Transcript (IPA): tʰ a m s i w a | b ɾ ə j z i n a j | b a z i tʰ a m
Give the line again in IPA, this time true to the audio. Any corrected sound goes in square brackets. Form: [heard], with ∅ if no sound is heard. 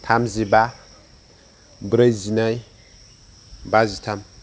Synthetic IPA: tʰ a m [z] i [b] a | b ɾ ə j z i n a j | b a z i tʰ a m